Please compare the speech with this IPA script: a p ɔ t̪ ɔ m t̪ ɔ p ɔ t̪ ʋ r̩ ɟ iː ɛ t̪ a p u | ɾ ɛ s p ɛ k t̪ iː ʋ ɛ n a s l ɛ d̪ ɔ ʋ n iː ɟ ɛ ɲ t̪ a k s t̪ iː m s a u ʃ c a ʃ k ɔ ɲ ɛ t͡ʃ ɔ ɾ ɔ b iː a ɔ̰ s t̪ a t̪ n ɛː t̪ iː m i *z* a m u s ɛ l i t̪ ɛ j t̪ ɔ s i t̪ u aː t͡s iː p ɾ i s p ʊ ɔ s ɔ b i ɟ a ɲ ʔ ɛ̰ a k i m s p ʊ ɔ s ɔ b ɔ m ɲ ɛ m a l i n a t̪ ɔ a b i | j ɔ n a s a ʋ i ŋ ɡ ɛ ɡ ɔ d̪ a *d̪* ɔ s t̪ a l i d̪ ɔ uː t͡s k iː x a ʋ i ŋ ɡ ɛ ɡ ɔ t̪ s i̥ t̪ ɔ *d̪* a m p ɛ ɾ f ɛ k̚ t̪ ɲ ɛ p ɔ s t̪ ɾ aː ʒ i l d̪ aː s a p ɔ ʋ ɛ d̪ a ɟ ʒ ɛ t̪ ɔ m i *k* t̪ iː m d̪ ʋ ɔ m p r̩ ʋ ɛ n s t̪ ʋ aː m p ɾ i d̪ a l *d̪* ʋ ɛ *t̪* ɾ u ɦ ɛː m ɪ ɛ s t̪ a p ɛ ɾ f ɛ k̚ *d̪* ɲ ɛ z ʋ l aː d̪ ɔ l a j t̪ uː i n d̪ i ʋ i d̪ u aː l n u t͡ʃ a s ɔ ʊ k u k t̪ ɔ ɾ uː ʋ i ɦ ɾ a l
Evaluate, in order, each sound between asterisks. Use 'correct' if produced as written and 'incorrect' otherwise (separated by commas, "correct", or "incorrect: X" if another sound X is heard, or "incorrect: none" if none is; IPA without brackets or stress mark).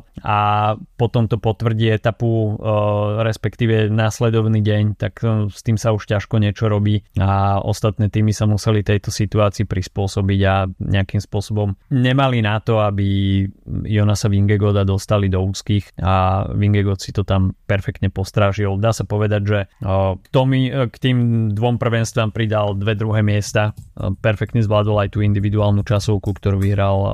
incorrect: s, correct, incorrect: t̪, correct, correct, incorrect: d̪, incorrect: t̪